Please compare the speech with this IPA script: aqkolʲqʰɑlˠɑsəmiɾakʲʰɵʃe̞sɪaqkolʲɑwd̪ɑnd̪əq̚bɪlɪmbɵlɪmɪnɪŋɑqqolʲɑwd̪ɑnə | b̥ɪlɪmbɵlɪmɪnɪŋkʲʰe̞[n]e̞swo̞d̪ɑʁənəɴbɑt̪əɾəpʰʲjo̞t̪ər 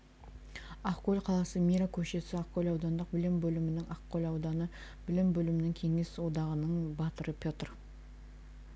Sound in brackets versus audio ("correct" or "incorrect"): incorrect